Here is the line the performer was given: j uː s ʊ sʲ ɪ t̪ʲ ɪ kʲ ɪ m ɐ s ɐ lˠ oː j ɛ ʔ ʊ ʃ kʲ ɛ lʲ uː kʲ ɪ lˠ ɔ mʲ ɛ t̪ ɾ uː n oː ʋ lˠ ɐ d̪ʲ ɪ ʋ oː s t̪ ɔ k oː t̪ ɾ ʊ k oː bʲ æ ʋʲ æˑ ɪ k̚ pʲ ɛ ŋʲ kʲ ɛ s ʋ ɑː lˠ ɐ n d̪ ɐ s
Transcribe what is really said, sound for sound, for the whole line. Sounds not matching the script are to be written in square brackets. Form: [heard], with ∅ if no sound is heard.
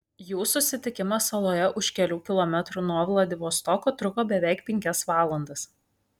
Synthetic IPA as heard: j uː s ʊ sʲ ɪ t̪ʲ ɪ kʲ ɪ m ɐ s ɐ lˠ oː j ɛ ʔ ʊ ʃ kʲ ɛ lʲ uː kʲ ɪ lˠ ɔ mʲ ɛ t̪ ɾ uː n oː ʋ lˠ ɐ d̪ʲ ɪ ʋ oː s t̪ ɔ k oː t̪ ɾ ʊ k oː bʲ [ɛ] ʋʲ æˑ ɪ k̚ pʲ ɛ ŋʲ kʲ ɛ s ʋ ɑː lˠ ɐ n d̪ ɐ s